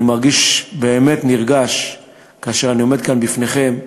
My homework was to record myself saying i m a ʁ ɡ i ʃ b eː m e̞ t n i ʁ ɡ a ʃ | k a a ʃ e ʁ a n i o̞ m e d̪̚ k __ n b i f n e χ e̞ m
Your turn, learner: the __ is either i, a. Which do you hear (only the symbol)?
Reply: a